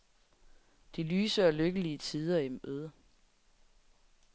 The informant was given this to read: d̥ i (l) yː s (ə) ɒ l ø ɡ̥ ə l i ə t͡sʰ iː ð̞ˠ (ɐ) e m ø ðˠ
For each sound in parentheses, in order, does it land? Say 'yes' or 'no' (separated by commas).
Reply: yes, yes, yes